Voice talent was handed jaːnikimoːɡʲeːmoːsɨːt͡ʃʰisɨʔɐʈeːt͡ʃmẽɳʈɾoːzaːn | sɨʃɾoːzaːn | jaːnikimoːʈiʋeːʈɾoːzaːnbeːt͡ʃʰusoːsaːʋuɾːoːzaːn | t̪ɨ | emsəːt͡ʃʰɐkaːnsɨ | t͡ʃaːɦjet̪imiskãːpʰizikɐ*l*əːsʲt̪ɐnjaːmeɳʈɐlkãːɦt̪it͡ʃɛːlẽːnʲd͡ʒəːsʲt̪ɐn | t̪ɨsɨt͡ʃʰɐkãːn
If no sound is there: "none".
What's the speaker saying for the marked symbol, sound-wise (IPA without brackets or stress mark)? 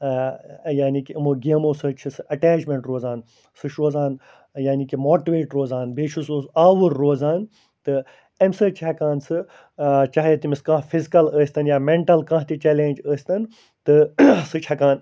l